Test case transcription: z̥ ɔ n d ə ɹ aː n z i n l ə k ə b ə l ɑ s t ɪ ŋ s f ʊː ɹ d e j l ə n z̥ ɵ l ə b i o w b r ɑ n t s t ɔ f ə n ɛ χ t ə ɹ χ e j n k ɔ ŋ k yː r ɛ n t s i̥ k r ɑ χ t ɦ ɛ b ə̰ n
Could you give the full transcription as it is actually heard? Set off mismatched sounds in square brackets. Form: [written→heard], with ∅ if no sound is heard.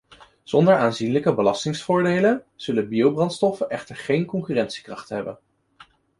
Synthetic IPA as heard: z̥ ɔ n d ə ɹ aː n z i n l ə k ə b ə l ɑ s t ɪ ŋ s f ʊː ɹ d e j l ə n z̥ ɵ l ə b i o w b r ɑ n t s t ɔ f ə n ɛ χ t ə ɹ χ e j n k ɔ ŋ k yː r ɛ n t s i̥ k r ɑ χ t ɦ ɛ b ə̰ n